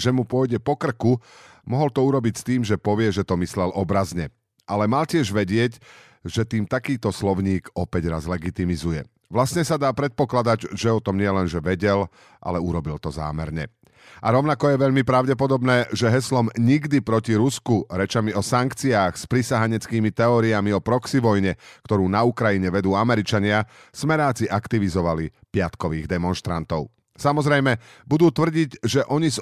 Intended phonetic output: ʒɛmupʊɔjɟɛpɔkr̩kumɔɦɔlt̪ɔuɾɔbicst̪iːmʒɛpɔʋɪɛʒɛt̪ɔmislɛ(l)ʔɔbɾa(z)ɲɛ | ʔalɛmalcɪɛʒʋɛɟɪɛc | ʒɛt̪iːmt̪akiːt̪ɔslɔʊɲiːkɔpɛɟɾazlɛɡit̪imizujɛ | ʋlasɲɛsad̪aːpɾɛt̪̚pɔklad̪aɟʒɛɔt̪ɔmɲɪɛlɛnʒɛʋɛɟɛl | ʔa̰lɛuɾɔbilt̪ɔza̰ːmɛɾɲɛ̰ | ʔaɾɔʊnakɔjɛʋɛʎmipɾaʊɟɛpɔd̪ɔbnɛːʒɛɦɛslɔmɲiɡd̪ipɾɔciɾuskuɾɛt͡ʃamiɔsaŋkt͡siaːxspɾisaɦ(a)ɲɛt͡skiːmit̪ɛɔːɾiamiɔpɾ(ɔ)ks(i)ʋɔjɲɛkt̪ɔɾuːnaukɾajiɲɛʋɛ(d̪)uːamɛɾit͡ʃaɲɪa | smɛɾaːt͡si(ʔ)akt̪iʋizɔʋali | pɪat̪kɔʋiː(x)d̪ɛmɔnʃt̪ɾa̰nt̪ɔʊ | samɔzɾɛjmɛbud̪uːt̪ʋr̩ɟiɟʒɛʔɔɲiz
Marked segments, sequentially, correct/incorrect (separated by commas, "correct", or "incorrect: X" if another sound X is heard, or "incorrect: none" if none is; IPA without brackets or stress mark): correct, correct, correct, correct, correct, correct, correct, incorrect: ɣ